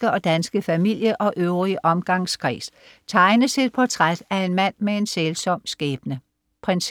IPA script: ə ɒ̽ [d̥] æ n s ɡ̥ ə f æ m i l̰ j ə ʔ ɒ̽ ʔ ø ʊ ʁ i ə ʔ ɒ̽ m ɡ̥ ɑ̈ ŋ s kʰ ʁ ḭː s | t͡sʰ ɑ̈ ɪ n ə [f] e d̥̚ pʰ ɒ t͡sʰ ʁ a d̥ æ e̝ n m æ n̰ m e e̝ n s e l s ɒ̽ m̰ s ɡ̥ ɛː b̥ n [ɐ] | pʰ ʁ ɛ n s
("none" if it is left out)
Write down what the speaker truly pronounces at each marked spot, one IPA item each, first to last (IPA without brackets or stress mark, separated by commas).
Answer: d̥, s, ə